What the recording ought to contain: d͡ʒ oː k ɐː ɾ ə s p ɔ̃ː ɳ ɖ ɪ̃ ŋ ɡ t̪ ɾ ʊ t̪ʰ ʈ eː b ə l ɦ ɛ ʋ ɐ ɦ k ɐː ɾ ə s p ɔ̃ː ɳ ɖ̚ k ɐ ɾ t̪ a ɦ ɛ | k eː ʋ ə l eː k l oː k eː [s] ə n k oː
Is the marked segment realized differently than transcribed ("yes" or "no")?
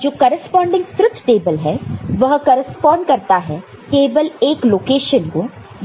yes